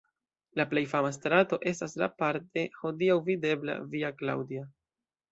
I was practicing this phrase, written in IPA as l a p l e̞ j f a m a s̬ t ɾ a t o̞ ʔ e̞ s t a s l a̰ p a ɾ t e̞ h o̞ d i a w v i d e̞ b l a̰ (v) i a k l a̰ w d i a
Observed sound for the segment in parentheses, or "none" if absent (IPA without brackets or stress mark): v